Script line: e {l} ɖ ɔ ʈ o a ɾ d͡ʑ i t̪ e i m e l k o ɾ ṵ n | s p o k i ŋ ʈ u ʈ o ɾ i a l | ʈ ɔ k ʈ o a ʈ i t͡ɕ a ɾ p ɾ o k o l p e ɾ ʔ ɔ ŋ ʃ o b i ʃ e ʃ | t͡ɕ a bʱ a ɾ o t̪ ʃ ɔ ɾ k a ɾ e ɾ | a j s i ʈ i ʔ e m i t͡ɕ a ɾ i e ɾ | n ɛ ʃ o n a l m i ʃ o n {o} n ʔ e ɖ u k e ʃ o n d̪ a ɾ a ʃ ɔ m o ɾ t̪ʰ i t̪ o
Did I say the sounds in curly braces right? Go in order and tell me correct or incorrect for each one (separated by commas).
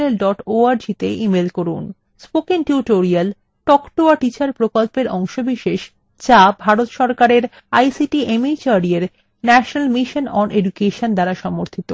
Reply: correct, incorrect